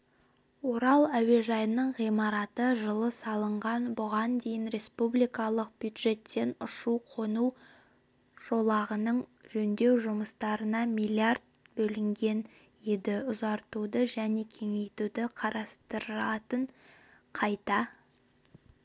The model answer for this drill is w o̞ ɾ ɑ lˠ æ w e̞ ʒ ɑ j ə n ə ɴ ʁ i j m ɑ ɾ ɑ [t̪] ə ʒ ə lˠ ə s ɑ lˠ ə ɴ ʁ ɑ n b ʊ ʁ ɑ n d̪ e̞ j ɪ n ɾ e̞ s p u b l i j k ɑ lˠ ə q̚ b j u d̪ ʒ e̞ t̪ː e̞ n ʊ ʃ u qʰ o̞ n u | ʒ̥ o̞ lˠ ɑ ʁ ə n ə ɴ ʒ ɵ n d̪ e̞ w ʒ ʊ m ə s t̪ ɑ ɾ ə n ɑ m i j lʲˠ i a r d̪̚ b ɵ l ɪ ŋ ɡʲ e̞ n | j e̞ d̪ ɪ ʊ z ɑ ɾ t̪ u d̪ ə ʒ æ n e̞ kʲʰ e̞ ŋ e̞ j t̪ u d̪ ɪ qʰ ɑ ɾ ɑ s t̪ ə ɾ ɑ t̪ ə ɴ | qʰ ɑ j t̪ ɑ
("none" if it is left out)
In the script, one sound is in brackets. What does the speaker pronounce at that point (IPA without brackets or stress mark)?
t̪